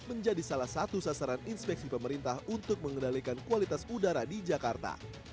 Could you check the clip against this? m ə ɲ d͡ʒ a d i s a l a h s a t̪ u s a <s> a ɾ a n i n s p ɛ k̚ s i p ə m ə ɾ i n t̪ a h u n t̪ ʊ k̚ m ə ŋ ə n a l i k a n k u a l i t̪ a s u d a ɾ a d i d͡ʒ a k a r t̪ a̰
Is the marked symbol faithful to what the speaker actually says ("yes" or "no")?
yes